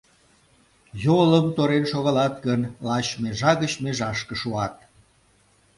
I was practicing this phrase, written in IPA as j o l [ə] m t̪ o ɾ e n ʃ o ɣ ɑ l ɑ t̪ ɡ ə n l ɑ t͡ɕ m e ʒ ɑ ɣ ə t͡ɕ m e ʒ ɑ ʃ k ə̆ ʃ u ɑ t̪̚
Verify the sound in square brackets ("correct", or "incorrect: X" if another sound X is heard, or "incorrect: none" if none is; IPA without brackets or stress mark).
correct